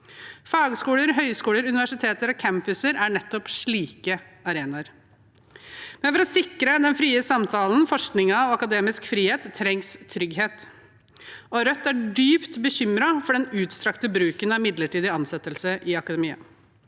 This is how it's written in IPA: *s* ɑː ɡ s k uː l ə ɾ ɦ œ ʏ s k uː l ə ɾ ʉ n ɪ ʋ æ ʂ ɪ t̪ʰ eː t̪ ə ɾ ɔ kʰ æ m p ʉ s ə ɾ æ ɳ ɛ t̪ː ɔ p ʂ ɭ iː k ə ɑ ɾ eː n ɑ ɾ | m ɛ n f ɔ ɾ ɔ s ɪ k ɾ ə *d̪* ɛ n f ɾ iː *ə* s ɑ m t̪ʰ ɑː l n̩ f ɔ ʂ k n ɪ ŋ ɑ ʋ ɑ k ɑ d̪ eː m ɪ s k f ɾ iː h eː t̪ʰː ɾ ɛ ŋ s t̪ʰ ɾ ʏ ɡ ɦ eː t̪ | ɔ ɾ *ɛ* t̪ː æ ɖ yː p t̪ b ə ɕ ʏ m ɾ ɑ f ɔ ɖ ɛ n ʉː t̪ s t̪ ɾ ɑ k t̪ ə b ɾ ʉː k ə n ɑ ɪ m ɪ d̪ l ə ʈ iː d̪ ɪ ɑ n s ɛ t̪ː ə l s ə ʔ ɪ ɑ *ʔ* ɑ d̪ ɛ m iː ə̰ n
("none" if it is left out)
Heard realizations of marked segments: f, d̪, ə, œ, k

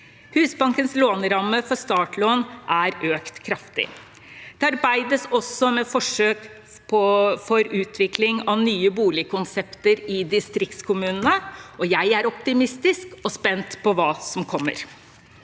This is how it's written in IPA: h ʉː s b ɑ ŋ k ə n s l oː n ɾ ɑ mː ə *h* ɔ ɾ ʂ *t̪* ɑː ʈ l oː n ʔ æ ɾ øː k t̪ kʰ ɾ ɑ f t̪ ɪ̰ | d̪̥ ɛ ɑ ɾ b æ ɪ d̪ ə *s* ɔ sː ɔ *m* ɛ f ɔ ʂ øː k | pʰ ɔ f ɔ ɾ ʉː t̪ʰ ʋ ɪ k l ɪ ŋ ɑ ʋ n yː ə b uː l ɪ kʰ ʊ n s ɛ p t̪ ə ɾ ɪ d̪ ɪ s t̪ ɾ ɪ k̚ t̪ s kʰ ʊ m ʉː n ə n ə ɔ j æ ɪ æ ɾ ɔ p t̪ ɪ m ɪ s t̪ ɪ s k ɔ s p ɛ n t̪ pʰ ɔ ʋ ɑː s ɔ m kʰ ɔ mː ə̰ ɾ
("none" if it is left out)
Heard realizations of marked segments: f, t̪, s, m

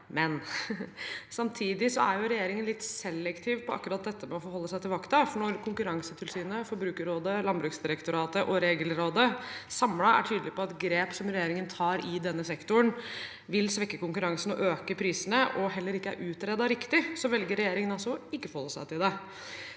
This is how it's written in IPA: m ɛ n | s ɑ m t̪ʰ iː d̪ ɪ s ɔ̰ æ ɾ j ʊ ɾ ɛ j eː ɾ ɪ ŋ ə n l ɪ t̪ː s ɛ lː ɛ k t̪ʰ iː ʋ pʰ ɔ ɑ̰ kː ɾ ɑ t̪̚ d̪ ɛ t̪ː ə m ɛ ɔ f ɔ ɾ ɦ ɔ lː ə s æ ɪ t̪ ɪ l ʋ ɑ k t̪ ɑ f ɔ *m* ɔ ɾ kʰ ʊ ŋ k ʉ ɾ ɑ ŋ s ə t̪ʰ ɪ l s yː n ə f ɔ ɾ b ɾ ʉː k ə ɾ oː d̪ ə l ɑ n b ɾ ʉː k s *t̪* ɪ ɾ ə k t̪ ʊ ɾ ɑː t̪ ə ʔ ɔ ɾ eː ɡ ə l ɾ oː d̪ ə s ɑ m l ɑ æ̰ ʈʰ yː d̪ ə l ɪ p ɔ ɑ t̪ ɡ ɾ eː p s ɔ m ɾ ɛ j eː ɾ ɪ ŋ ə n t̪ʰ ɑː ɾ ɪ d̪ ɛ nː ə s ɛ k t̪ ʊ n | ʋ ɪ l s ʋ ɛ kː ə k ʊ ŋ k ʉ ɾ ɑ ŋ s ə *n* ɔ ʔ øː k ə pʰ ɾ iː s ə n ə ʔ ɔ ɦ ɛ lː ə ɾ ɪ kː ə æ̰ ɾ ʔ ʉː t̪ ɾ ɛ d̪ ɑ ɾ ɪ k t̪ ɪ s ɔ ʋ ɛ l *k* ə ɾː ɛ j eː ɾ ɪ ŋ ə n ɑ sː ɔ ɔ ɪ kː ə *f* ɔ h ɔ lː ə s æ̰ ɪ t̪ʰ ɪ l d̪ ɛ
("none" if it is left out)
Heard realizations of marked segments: ɳ, d̪, n, ɡ, f

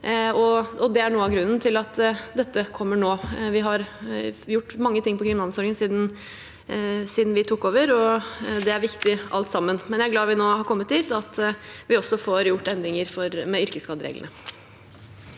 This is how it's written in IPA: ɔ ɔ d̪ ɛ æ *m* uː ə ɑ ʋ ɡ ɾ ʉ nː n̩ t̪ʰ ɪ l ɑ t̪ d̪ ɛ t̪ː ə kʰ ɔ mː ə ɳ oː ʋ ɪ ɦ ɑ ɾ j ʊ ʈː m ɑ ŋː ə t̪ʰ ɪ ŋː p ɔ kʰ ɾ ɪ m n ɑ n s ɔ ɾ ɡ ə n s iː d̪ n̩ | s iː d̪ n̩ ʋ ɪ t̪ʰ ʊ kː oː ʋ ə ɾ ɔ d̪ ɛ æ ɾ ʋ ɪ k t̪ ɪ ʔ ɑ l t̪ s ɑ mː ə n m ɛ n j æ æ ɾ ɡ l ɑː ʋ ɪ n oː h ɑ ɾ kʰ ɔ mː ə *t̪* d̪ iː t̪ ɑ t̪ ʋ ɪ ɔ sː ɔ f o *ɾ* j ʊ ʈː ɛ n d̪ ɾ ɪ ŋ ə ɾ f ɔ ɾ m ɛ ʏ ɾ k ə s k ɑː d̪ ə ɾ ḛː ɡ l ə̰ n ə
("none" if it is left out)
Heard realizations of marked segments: ɳ, t̪, ɾ

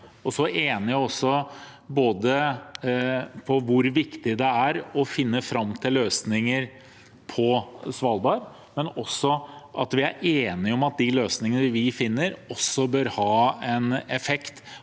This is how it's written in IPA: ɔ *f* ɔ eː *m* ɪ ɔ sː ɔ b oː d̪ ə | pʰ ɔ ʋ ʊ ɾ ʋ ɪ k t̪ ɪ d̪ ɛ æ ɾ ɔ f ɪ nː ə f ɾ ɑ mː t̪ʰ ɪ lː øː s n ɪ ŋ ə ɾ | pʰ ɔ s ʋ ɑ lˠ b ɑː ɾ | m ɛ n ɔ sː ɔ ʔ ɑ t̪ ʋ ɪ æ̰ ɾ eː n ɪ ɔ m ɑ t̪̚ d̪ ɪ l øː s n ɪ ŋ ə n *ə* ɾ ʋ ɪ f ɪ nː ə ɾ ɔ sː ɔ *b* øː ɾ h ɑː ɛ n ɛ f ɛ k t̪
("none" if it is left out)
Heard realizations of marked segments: s, n, ə, b

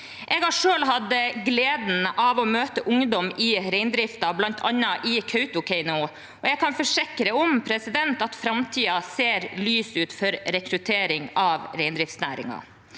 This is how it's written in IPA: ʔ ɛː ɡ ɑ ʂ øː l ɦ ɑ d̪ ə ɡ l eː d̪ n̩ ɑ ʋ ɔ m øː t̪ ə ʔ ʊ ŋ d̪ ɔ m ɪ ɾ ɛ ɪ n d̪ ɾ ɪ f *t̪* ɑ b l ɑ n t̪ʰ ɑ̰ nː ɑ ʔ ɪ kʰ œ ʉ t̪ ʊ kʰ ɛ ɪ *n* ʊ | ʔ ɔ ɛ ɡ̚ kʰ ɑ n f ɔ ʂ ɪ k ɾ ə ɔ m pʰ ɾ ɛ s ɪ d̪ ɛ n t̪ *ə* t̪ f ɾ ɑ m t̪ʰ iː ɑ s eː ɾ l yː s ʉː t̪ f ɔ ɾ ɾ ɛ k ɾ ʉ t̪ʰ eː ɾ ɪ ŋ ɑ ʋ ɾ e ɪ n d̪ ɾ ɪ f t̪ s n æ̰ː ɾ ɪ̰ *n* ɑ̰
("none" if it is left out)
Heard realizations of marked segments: t̪, n, ɑ, ŋ

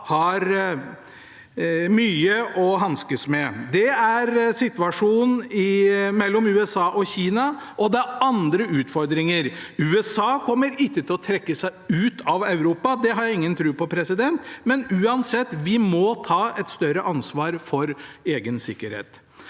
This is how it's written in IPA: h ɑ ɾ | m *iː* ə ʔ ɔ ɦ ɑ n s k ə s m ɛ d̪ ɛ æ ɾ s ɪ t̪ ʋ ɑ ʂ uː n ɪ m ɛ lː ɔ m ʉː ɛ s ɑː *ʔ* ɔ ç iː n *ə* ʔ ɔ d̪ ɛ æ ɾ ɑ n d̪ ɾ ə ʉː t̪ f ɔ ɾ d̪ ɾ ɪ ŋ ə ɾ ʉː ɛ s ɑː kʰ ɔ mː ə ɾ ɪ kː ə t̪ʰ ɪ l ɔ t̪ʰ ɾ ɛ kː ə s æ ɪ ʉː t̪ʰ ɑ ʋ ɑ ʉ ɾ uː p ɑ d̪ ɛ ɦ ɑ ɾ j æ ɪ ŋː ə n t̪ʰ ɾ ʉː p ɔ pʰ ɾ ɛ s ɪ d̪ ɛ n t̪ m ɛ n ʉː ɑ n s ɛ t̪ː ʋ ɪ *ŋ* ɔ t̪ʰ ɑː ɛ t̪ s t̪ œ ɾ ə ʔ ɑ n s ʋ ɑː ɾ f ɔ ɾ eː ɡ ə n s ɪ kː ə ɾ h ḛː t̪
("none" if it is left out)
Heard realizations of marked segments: yː, ʔ, ɑ, m

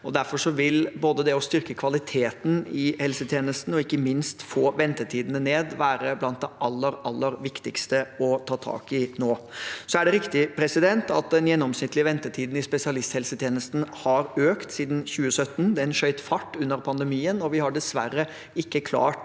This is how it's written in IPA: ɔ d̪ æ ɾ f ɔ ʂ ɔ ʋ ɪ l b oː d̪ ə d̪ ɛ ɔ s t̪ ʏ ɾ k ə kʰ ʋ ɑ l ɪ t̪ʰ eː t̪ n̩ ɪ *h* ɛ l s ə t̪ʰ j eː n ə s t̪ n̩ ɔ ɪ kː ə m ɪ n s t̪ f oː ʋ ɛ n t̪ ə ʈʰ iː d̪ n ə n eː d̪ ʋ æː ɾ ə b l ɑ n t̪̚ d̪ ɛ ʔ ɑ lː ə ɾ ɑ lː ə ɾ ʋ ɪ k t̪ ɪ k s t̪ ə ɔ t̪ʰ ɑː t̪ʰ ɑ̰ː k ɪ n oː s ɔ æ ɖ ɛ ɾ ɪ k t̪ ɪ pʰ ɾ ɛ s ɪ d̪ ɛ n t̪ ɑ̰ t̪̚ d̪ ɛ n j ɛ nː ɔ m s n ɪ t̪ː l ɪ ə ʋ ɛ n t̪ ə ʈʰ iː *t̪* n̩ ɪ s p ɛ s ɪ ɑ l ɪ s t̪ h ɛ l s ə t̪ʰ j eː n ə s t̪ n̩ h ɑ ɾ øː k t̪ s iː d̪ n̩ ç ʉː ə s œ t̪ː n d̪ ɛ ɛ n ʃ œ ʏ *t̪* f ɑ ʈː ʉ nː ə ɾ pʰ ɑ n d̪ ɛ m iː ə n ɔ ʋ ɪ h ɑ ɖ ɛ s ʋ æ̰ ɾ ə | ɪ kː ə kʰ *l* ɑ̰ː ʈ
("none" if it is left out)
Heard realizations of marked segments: h, d̪, t̪, l

